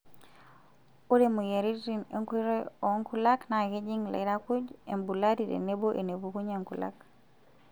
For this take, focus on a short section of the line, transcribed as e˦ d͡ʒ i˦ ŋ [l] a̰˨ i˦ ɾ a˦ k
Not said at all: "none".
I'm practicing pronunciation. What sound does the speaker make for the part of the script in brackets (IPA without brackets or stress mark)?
l